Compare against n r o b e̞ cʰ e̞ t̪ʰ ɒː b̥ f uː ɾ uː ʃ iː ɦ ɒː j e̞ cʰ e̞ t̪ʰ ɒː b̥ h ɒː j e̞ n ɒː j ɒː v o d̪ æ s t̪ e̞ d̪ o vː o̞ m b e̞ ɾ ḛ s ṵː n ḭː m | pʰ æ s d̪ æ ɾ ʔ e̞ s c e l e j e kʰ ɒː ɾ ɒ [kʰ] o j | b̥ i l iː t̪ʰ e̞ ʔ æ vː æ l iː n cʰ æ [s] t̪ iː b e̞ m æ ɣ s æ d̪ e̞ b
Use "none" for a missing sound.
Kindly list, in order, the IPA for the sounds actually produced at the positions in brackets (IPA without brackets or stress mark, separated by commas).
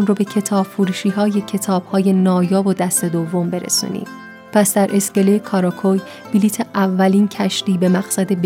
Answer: kʰ, ʃ